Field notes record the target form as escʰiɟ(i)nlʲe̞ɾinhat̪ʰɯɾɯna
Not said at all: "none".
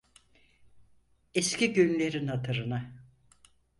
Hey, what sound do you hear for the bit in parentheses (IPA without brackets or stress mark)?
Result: y